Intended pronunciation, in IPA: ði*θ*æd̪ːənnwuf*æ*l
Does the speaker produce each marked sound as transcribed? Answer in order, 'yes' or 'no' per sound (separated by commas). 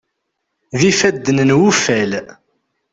no, yes